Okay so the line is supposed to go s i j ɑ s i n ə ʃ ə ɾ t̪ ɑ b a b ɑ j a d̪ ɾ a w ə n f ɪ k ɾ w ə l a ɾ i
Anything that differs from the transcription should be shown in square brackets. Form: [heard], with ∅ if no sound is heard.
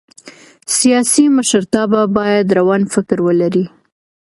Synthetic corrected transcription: s i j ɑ s i [m] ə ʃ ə ɾ t̪ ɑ b a b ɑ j a d̪ ɾ a w [ɑ] n f ɪ k ɾ w ə l a ɾ i